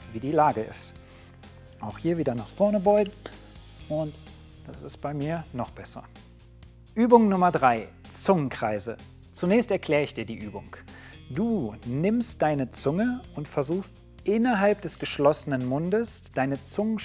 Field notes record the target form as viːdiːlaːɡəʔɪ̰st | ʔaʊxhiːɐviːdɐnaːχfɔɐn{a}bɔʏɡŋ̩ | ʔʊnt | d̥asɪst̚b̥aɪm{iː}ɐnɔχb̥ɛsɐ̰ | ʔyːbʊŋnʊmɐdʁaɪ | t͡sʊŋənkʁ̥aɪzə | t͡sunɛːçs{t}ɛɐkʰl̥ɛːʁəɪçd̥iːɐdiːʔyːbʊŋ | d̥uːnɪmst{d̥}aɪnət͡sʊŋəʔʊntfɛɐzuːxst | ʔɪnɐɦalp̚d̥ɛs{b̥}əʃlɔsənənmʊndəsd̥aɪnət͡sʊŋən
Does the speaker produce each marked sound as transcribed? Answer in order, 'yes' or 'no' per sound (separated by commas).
no, yes, yes, yes, no